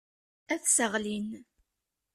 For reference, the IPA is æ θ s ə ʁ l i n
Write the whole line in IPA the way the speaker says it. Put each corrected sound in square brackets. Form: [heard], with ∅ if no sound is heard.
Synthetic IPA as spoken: æ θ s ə ʁ l i n